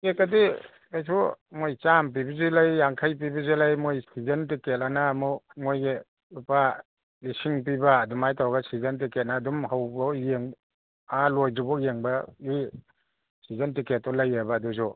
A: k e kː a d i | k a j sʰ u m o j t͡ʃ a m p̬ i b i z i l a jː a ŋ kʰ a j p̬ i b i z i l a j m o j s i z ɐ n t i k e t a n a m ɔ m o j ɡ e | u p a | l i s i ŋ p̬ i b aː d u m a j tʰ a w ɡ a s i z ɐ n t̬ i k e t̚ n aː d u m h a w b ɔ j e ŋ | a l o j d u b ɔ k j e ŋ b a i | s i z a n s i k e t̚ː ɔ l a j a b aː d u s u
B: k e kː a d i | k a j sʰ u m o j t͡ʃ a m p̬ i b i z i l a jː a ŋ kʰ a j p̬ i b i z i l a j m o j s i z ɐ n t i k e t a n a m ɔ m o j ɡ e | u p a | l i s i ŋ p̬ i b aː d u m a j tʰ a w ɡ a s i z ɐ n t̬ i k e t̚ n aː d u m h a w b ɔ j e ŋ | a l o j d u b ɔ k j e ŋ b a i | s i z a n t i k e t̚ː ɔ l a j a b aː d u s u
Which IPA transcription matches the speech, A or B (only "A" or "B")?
B